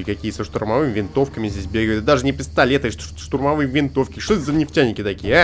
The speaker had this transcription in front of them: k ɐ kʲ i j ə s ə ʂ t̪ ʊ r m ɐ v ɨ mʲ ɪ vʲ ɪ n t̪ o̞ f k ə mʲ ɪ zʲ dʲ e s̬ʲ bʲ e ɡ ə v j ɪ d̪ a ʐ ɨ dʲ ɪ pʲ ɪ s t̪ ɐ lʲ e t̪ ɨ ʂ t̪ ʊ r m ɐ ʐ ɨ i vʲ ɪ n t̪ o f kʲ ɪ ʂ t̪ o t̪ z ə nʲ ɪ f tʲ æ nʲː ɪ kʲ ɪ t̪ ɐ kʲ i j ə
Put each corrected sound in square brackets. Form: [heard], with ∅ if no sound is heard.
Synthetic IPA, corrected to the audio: k ɐ kʲ i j ə s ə ʂ t̪ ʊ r m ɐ v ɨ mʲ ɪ vʲ ɪ n t̪ o̞ f k ə mʲ ɪ zʲ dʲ e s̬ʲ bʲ e ɡ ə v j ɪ d̪ a ʐ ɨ [nʲ] ɪ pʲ ɪ s t̪ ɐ lʲ e t̪ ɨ ʂ t̪ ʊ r m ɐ [v] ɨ [j] vʲ ɪ n t̪ o f kʲ ɪ ʂ t̪ o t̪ z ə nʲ ɪ f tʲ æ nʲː ɪ kʲ ɪ t̪ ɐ kʲ i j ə